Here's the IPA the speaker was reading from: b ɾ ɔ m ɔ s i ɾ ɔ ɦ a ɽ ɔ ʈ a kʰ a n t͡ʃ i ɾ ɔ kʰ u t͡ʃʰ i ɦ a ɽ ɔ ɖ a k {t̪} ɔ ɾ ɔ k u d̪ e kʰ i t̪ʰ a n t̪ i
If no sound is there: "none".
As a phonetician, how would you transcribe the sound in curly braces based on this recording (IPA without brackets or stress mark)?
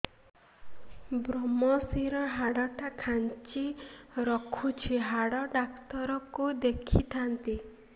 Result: t̪